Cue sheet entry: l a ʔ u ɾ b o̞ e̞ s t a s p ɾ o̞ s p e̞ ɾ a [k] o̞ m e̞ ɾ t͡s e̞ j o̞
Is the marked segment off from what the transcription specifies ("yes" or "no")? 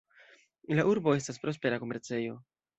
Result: no